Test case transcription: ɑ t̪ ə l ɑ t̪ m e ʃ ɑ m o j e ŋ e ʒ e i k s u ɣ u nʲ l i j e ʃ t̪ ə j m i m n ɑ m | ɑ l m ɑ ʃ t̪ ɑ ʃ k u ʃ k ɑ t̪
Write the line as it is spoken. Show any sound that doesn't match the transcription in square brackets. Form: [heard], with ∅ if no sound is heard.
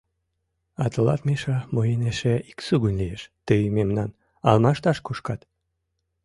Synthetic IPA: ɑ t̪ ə l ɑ t̪ m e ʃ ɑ m o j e [n] e [ʃ] e i k s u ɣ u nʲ l i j e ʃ t̪ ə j m [e] m n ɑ [n] | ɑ l m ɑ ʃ t̪ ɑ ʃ k u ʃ k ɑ t̪